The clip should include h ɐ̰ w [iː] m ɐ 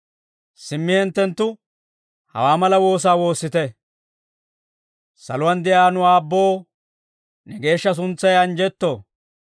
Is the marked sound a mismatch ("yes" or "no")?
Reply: yes